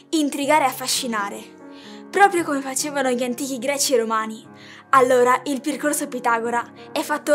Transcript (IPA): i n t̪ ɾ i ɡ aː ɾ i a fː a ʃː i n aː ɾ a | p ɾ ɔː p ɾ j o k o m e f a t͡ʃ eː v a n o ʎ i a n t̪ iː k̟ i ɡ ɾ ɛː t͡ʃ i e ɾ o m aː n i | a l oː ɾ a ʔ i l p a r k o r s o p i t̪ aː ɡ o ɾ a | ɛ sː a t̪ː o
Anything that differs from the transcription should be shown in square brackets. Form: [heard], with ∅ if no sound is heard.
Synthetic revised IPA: i n t̪ ɾ i ɡ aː ɾ [e] a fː a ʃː i n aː ɾ [e] | p ɾ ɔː p ɾ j o k o m e f a t͡ʃ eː v a n o ʎ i a n t̪ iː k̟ i ɡ ɾ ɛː t͡ʃ i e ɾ o m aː n i | a [lː] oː ɾ a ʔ i l p [e] r k o r s o p i t̪ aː ɡ o ɾ a | ɛ [fː] a t̪ː o